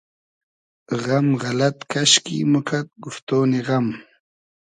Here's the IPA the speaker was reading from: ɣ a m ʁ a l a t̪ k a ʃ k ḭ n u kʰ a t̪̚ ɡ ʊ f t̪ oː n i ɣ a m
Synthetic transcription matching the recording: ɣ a m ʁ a l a t̪ k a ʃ k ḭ m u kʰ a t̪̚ ɡ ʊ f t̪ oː n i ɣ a m